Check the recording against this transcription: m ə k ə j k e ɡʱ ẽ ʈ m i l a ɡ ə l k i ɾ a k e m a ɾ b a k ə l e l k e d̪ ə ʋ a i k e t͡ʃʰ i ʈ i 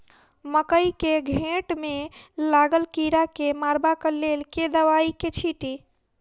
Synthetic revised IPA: m ə k ə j k e ɡʱ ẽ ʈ m e l a ɡ ə l k i ɾ a k e m a ɾ b a k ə l e l k e d̪ ə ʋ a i k e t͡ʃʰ i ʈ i